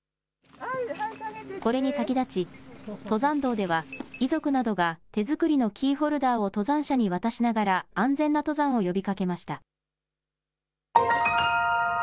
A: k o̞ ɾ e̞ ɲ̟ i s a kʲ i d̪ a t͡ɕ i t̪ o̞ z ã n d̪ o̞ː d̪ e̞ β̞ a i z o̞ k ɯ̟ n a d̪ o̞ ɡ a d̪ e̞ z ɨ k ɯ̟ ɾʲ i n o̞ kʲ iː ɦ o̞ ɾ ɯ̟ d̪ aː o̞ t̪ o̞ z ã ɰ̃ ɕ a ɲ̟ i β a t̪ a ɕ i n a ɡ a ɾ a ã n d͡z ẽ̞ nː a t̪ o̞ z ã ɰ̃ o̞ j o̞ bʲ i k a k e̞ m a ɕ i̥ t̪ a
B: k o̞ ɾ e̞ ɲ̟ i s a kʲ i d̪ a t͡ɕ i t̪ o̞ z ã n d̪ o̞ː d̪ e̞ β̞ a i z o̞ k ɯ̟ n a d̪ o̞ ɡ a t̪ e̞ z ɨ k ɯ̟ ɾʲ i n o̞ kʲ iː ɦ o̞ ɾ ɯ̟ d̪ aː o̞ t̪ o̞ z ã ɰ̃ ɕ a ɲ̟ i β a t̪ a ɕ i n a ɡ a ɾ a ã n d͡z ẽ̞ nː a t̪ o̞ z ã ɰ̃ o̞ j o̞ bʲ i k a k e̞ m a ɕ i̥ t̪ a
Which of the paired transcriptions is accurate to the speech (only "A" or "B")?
B